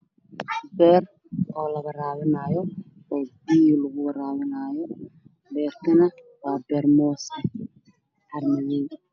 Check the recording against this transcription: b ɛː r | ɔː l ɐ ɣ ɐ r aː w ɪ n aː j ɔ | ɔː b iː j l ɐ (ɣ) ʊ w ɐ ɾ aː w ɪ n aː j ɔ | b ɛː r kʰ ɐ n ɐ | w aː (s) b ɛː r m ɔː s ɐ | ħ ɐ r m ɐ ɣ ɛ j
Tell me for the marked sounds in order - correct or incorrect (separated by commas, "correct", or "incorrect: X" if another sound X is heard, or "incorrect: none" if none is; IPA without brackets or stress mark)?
correct, incorrect: none